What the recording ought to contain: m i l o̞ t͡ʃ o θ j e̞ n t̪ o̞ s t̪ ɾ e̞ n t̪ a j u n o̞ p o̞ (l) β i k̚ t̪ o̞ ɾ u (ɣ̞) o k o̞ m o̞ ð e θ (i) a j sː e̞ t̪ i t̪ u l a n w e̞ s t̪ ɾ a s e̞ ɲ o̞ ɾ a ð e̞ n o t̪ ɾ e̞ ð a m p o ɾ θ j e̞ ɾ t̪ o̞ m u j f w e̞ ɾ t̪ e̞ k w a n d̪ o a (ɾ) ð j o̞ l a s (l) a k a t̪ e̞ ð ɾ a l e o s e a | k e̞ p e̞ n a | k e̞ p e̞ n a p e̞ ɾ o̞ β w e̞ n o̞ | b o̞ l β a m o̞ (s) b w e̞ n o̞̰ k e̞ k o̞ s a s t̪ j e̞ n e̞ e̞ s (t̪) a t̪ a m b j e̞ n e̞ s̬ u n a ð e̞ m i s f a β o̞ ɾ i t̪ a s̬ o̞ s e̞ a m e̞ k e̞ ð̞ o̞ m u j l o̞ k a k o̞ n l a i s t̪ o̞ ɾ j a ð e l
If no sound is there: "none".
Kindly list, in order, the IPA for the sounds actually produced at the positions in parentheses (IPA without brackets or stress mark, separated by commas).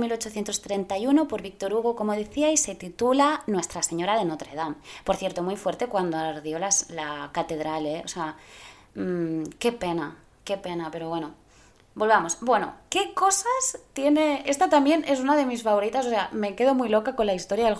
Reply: ɾ, ɣ̞, i, ɾ, l, s, t̪